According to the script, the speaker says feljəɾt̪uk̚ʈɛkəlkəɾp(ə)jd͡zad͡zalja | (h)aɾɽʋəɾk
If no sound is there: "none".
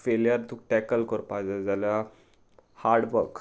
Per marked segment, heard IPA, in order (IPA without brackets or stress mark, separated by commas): a, h